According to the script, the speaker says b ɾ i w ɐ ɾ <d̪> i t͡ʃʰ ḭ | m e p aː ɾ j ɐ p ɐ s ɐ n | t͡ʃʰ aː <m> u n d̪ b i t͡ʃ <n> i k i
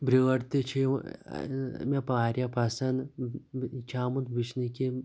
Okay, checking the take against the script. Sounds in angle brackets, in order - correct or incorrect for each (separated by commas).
incorrect, correct, correct